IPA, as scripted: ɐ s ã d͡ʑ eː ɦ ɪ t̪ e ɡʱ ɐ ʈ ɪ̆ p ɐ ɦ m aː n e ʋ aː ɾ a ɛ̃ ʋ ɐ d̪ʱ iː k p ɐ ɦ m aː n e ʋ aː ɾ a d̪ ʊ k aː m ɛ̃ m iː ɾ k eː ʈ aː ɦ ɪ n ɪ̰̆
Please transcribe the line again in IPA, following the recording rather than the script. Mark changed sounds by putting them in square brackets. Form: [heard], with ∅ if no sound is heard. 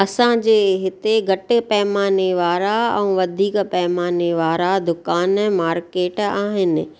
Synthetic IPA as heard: ɐ s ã d͡ʑ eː ɦ ɪ t̪ e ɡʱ ɐ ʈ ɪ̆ p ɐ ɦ m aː n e ʋ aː ɾ a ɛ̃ ʋ ɐ d̪ʱ iː k p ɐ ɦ m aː n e ʋ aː ɾ a d̪ ʊ k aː [n] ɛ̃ m [aː] ɾ k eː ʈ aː ɦ ɪ n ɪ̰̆

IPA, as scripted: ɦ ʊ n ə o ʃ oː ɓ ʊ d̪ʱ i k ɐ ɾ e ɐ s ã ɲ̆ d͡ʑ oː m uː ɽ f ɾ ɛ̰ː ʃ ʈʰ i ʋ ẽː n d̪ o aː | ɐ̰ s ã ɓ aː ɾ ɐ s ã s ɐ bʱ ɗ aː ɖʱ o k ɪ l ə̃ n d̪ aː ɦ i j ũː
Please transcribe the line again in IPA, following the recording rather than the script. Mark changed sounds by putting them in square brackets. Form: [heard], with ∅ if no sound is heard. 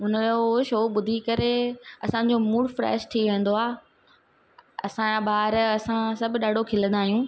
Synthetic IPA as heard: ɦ ʊ n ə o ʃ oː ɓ ʊ d̪ʱ i k ɐ ɾ e ɐ s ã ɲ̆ d͡ʑ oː m uː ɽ f ɾ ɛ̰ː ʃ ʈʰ i ʋ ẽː n d̪ o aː | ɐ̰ s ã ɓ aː ɾ ɐ s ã s ɐ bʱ ɗ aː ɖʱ o [kʰ] ɪ l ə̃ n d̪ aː ɦ i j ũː

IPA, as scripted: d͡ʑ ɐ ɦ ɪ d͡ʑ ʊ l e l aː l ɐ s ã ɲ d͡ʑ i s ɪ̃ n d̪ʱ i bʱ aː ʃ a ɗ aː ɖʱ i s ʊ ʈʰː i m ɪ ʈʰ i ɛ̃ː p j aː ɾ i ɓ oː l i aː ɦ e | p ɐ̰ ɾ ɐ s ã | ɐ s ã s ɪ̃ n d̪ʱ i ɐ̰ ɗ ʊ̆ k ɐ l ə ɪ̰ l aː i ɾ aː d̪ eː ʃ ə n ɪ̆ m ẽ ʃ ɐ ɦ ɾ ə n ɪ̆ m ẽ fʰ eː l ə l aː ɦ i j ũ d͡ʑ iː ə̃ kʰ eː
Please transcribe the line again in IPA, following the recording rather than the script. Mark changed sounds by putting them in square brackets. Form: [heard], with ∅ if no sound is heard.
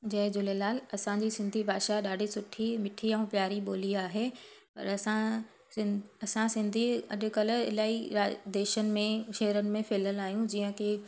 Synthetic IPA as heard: d͡ʑ ɐ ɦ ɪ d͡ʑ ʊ l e l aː l ɐ s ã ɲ d͡ʑ i s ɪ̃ n d̪ʱ i bʱ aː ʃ a ɗ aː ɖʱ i s ʊ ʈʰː i m ɪ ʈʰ i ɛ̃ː p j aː ɾ i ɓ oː l i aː ɦ e | p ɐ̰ ɾ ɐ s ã | ɐ s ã s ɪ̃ n d̪ʱ i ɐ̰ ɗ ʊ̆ k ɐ l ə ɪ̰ l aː i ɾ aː d̪ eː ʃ ə n ɪ̆ m ẽ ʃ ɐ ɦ ɾ ə n ɪ̆ m ẽ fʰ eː l ə l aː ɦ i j ũ d͡ʑ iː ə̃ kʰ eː

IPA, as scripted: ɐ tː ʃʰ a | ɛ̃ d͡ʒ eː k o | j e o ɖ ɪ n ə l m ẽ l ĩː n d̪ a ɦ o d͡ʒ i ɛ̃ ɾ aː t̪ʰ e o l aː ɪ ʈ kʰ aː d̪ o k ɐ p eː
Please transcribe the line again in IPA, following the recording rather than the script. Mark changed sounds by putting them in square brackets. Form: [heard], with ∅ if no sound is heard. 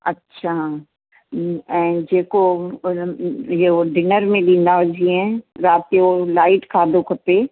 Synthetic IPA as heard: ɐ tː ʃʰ a | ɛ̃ d͡ʒ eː k o | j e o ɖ ɪ n ə [ɾ] m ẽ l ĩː n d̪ a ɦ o d͡ʒ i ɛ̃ ɾ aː [t̪] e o l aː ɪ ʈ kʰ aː d̪ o k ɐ p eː

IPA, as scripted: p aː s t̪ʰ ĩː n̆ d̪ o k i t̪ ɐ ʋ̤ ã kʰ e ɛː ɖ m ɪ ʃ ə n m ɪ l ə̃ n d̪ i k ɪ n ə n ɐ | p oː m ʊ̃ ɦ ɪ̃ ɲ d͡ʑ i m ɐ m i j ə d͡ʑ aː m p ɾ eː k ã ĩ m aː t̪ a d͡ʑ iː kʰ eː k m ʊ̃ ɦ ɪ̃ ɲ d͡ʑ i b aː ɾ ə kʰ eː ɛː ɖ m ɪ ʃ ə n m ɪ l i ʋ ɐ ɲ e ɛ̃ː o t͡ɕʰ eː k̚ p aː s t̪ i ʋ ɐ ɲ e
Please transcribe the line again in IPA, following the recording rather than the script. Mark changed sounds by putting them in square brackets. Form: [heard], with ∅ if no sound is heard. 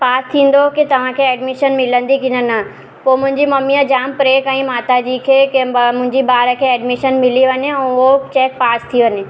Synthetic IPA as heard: p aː s t̪ʰ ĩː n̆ d̪ o k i t̪ ɐ ʋ̤ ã kʰ e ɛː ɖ m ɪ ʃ ə n m ɪ l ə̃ n d̪ i k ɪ n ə n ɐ | p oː m ʊ̃ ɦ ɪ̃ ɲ d͡ʑ i m ɐ m i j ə d͡ʑ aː m p ɾ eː k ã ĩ m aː t̪ a d͡ʑ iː kʰ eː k m ʊ̃ ɦ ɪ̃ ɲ d͡ʑ i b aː ɾ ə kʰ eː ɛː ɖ m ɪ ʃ ə n m ɪ l i ʋ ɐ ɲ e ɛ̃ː o [t͡ɕ] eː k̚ p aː s [t̪ʰ] i ʋ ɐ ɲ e

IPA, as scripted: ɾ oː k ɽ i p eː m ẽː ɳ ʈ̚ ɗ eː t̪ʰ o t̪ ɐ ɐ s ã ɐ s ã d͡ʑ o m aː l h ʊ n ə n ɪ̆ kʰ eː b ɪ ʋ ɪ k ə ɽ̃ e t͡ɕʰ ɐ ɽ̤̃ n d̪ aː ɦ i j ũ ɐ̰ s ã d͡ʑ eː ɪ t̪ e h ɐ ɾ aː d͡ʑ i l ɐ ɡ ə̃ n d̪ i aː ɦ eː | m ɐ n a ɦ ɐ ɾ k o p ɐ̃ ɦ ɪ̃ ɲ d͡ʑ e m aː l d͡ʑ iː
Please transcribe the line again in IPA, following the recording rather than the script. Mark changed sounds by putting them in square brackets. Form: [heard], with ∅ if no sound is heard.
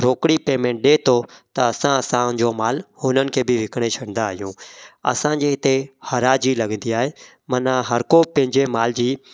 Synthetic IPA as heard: ɾ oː k ɽ i p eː m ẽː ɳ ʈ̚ ɗ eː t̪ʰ o t̪ ɐ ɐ s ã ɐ s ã d͡ʑ o m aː l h ʊ n ə n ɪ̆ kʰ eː b ɪ ʋ ɪ k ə ɽ̃ e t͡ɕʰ ɐ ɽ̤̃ n d̪ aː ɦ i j ũ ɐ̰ s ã d͡ʑ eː ɪ t̪ e h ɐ ɾ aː d͡ʑ i l ɐ ɡ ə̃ n d̪ i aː ɦ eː | m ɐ n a ɦ ɐ ɾ k o p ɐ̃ ɦ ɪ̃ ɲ d͡ʑ e m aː l d͡ʑ iː

